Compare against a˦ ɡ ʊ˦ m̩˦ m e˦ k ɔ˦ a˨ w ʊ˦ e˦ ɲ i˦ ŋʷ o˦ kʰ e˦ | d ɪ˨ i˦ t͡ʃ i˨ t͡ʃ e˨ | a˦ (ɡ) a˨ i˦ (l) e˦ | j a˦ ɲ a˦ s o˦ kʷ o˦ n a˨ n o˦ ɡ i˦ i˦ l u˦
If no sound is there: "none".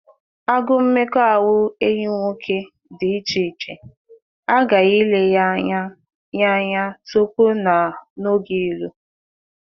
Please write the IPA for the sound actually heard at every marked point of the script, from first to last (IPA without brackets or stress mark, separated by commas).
ɡ, l